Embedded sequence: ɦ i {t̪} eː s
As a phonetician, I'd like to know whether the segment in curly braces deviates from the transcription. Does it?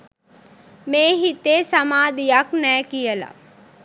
no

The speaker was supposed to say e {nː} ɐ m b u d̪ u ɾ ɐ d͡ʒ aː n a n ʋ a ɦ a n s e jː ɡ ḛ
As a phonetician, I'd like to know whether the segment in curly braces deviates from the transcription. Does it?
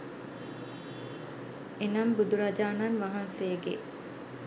yes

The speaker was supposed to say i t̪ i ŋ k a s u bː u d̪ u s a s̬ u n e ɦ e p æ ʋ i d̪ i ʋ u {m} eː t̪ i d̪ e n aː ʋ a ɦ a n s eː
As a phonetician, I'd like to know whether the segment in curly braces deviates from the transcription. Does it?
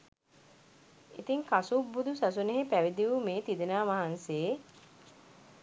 no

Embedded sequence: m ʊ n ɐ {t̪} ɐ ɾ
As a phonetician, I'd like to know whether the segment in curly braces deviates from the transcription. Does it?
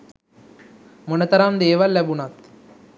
no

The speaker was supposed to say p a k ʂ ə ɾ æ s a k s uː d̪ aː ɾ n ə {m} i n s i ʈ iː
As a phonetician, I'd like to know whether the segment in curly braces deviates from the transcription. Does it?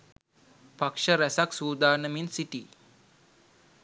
no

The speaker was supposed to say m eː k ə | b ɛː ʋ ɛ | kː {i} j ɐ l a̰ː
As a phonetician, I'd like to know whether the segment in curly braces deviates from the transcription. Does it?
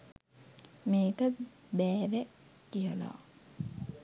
no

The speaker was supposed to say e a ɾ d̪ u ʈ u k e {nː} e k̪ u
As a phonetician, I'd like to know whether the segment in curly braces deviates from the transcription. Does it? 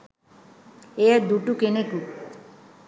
yes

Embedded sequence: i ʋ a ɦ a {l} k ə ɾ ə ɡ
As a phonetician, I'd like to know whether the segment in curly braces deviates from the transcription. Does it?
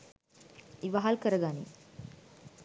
no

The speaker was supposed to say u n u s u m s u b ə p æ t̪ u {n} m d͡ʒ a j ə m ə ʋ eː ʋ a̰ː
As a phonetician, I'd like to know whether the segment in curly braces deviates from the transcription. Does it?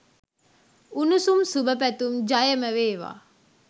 yes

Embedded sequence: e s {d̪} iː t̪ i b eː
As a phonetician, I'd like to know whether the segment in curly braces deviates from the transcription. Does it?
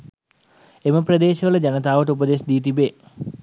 no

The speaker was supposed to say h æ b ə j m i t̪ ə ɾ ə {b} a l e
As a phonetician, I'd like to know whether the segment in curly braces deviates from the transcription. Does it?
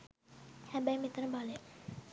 no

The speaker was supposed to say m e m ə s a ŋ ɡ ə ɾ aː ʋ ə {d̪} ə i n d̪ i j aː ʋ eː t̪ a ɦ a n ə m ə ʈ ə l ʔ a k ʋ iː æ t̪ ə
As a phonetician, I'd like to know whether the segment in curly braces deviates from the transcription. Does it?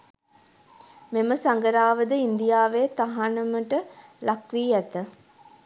no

